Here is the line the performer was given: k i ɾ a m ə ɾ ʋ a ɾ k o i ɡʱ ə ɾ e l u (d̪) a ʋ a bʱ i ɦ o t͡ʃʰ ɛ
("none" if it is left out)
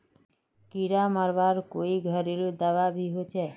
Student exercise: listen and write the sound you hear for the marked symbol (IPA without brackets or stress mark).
d̪